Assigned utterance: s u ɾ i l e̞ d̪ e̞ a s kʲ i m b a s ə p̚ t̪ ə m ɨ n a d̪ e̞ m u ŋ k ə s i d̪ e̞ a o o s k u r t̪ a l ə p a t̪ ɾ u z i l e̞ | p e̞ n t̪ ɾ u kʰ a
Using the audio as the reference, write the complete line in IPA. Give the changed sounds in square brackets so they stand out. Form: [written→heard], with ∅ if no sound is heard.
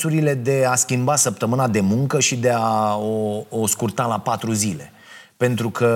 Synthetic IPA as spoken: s u ɾ i l e̞ d̪ e̞ a s kʲ i m b a s ə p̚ t̪ ə m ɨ n a d̪ e̞ m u ŋ k ə [s→ʃ] i d̪ e̞ a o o s k u r t̪ a l [ə→a] p a t̪ ɾ u z i l e̞ | p e̞ n t̪ ɾ u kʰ [a→ə]